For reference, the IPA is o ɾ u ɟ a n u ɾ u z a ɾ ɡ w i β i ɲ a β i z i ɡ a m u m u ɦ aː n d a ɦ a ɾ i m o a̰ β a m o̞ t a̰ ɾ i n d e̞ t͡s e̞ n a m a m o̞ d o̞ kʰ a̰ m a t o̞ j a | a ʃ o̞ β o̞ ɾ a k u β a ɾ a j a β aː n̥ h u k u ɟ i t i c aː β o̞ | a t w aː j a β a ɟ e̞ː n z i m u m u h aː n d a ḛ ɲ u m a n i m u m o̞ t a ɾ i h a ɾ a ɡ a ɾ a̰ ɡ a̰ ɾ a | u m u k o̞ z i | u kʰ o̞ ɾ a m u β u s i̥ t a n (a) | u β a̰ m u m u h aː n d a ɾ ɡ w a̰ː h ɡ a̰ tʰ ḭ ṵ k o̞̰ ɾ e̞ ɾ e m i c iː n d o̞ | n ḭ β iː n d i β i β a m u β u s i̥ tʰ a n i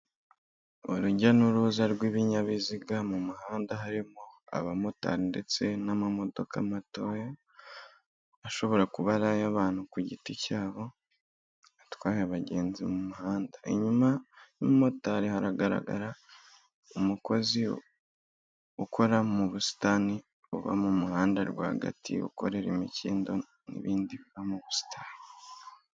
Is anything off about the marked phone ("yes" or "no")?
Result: yes